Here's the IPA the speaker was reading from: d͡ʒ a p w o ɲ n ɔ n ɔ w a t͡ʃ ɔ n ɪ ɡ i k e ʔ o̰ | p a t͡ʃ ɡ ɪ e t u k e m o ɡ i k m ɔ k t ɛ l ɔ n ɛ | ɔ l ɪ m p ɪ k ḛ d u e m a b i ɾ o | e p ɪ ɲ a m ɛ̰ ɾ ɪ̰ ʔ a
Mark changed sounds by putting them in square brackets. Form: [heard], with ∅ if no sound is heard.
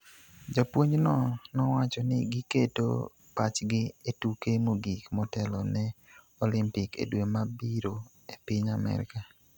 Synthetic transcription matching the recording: d͡ʒ a p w o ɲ n ɔ n ɔ w a t͡ʃ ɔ n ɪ ɡ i k e [t] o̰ | p a t͡ʃ ɡ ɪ e t u k e m o ɡ i k m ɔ [∅] t ɛ l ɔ n ɛ | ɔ l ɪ m p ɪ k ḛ d [w] e m a b i ɾ o | e p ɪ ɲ a m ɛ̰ ɾ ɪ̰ [k] a